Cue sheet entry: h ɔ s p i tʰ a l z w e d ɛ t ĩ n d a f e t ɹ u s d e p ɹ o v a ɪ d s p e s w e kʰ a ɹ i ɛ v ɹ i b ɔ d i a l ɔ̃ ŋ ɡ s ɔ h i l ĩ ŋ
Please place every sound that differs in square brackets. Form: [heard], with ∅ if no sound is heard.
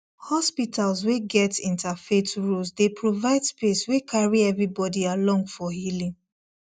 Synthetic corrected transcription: h ɔ s p i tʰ a l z w e [ɡ] ɛ t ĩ n [t] a f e t ɹ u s d e p ɹ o v a ɪ d s p e s w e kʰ a ɹ i ɛ v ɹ i b ɔ d i a l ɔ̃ ŋ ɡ [f] ɔ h i l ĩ ŋ